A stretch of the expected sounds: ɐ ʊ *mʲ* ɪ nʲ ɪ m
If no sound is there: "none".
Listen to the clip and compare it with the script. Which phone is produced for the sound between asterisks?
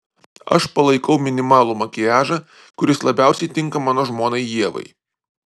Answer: mʲ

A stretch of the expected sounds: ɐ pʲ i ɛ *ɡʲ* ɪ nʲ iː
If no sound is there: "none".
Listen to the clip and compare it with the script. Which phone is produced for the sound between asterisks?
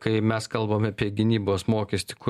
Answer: ɡʲ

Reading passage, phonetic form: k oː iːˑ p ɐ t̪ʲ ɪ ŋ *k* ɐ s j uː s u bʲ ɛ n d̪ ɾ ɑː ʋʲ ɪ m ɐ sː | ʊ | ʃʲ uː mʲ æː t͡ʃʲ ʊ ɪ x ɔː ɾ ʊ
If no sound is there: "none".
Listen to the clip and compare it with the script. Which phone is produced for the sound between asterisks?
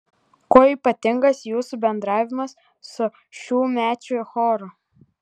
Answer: ɡ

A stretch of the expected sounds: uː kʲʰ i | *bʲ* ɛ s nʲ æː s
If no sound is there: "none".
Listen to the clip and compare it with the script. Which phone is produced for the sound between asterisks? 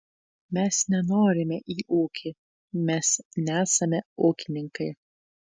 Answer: mʲ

